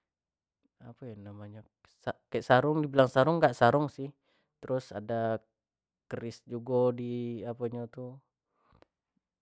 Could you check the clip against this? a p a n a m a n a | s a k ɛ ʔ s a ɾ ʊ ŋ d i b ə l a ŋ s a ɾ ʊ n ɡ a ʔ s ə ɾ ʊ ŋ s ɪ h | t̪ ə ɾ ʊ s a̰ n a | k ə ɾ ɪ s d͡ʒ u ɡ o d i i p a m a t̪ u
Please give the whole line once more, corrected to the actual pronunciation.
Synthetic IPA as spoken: a p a n a m a ɲ a | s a k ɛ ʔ s a ɾ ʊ ŋ d i b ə l a ŋ s a ɾ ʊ ŋ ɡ a ʔ s a ɾ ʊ ŋ s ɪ h | t̪ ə ɾ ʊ s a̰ d a | k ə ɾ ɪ s d͡ʒ u ɡ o d i a p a ɲ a t̪ u